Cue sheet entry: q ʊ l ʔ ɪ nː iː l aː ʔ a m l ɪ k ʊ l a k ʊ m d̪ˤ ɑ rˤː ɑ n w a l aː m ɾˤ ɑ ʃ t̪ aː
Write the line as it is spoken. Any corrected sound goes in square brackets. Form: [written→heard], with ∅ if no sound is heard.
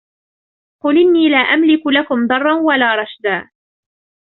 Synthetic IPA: q ʊ l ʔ ɪ nː iː l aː ʔ a m l ɪ k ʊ l a k ʊ m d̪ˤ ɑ rˤː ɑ n w a l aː [m→∅] ɾˤ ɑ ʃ [t̪→d̪] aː